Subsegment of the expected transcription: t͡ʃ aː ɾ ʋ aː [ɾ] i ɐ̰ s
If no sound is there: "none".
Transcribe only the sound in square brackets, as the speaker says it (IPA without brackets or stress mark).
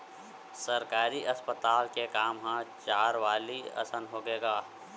l